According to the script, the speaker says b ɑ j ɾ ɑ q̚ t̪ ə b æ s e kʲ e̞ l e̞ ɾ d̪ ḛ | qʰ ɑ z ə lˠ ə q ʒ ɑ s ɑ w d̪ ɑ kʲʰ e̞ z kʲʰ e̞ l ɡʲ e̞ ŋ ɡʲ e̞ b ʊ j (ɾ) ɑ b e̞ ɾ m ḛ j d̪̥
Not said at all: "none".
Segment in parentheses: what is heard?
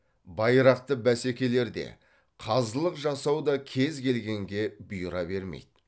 ɾ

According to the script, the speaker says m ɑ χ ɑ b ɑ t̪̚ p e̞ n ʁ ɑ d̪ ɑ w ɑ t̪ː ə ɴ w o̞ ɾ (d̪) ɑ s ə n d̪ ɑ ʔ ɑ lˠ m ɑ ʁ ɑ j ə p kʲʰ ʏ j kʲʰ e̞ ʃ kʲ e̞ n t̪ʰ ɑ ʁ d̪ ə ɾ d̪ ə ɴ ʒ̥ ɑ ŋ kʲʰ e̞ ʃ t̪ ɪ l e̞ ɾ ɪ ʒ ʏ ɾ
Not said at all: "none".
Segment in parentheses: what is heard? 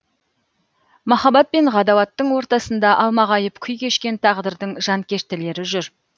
t̪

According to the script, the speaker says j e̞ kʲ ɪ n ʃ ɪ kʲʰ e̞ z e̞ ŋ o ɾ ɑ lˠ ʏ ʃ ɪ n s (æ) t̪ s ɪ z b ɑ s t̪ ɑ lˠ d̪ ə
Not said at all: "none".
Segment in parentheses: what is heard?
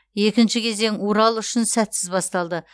æ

